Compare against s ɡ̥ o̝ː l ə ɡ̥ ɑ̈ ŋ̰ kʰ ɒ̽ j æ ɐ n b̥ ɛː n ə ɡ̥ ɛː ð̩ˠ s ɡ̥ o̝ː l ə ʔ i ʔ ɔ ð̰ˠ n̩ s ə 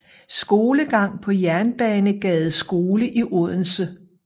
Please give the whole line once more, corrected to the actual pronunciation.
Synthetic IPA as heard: s ɡ̥ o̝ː l ə ɡ̥ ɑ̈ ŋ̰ pʰ ɒ̽ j æ ɐ n b̥ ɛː n ə ɡ̥ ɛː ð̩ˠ s ɡ̥ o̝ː l ə ʔ i ʔ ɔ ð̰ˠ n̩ s ə